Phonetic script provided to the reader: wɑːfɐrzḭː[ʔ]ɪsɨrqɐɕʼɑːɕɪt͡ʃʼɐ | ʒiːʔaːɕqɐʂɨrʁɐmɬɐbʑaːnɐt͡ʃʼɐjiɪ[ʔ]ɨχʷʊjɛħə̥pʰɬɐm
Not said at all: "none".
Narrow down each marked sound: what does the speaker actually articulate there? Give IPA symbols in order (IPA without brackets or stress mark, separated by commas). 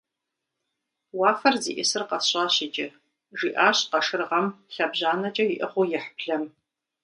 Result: ʔ, ʔ